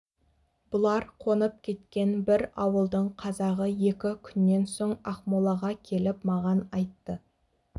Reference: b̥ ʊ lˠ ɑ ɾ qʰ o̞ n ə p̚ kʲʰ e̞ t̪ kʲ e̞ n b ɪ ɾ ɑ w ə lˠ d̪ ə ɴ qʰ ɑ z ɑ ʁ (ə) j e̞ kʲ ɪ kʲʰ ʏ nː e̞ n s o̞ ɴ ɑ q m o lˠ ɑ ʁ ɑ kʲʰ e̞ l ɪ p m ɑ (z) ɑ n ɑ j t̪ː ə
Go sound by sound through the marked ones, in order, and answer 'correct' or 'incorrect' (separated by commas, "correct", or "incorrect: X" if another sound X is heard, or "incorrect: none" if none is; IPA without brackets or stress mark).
correct, incorrect: ʁ